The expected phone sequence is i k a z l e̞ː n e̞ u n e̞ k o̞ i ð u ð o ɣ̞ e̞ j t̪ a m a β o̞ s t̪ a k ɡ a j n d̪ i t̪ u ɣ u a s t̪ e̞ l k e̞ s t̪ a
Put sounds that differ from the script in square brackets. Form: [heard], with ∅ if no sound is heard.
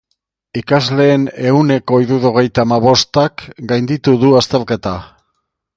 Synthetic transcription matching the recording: i k a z l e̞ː n e̞ u n e̞ k o̞ i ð u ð o ɣ̞ e̞ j t̪ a m a β o̞ s t̪ a k ɡ a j n d̪ i t̪ u [ð] u a s t̪ e̞ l k e̞ [∅] t̪ a